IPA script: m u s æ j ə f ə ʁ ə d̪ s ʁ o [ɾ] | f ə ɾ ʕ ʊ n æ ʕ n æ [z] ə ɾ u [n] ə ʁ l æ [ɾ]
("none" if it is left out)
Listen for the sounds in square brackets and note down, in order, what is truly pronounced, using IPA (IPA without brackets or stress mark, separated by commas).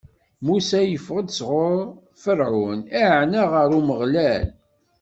ɾ, ʁ, m, l